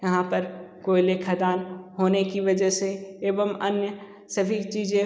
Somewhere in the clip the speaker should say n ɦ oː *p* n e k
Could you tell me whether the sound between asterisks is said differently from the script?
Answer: yes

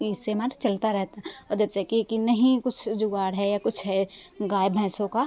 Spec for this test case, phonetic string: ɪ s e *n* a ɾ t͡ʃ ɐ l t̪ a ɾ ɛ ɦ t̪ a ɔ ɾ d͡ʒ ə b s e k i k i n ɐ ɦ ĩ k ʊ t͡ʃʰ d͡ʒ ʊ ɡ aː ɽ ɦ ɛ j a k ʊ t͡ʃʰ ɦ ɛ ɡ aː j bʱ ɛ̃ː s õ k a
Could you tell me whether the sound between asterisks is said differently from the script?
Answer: yes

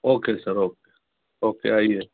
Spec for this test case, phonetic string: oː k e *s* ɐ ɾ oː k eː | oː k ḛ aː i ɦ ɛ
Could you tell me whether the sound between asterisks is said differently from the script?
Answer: no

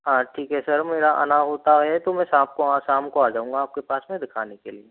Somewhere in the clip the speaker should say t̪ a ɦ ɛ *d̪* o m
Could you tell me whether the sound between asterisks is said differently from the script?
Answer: yes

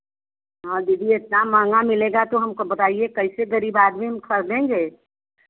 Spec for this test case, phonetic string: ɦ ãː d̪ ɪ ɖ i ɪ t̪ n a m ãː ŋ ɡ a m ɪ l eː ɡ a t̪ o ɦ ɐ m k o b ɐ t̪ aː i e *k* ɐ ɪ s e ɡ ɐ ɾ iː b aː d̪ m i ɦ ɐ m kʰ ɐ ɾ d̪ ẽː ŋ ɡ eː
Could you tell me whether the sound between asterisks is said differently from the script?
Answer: no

